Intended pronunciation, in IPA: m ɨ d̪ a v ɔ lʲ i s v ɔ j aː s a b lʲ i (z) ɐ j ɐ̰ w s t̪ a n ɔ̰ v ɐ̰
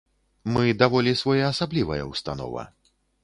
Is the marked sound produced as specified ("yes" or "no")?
no